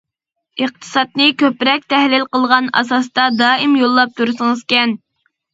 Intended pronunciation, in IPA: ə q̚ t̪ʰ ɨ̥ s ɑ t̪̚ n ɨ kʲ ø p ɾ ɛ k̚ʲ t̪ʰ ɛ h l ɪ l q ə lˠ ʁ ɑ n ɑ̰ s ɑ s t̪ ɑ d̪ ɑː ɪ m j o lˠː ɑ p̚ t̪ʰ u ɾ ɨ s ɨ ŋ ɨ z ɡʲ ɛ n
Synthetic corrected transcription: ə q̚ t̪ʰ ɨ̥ s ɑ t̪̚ n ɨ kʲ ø p ɾ ɛ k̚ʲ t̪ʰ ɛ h l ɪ l q ə lˠ ʁ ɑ n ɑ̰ s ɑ s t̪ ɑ d̪ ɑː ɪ m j o lˠː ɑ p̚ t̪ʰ u ɾ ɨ s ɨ ŋ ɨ z kʲ ɛ n